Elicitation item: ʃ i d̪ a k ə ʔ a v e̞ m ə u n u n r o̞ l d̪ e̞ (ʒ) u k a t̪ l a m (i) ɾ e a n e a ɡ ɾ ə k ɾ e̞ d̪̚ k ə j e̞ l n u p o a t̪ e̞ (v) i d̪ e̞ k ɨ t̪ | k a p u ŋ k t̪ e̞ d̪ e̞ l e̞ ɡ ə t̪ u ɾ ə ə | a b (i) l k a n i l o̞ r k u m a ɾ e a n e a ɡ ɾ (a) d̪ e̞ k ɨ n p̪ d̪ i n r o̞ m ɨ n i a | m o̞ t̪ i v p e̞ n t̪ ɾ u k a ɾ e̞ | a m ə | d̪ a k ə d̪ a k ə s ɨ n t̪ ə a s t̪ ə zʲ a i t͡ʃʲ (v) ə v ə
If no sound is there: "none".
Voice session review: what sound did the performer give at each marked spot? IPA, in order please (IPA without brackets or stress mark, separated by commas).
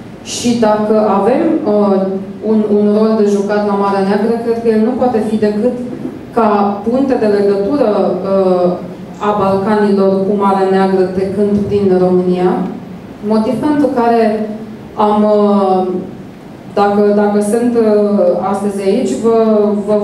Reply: ʒ, a, f, a, ə, v